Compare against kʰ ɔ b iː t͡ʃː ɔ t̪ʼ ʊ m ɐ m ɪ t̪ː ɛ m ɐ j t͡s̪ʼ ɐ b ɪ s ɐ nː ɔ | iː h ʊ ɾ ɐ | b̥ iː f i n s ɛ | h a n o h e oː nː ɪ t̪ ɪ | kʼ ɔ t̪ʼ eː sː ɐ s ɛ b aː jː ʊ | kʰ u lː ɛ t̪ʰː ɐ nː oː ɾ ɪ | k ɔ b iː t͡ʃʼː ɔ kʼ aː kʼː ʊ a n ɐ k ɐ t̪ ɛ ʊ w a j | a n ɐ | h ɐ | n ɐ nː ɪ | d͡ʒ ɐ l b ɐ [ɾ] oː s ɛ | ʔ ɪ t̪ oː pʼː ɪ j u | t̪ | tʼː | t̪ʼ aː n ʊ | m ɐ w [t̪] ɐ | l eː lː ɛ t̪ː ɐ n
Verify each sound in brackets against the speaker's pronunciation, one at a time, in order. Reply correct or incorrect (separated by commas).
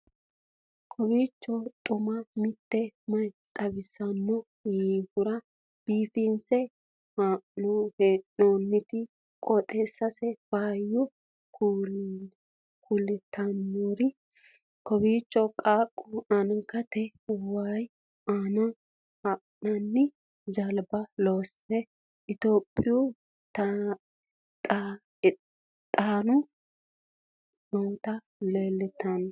incorrect, correct